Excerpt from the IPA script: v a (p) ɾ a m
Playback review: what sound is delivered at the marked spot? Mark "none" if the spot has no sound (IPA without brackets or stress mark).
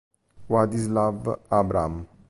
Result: b